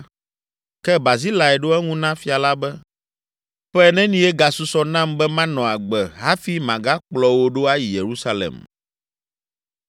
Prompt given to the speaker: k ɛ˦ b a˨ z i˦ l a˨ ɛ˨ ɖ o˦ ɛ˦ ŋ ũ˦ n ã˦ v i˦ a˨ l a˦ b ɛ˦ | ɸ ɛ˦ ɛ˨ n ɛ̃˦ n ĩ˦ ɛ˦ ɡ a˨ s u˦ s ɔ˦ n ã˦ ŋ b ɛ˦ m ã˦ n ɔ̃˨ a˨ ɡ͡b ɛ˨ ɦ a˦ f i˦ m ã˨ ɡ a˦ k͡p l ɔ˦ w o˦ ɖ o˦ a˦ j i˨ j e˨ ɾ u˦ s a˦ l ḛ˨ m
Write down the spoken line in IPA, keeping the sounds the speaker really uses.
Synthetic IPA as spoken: k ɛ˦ b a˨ z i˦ l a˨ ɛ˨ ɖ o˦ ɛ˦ ŋ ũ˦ n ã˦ f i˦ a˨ l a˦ b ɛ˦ | ɸ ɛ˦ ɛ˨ n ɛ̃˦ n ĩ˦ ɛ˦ ɡ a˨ s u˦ s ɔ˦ n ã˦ m b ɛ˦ m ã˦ n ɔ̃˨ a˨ ɡ͡b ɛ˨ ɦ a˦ f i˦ m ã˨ ɡ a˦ k͡p l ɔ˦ w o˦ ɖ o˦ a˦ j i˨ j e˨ ɾ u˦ s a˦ l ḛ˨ m